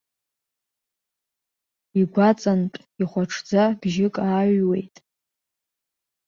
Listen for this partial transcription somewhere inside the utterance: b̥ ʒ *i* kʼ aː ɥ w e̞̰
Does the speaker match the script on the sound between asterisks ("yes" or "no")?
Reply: no